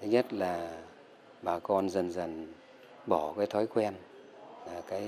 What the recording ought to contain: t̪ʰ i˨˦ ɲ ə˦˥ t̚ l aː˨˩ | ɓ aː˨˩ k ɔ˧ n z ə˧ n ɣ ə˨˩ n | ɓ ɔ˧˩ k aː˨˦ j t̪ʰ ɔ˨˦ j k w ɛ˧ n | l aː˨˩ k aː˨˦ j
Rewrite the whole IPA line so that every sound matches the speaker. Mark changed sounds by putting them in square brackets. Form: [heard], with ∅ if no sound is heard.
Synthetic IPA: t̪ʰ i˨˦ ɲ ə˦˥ t̚ l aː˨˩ | ɓ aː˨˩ k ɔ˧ n z [ə˨˩] n [z] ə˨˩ n | ɓ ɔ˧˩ k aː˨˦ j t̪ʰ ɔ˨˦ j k w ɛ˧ n | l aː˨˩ k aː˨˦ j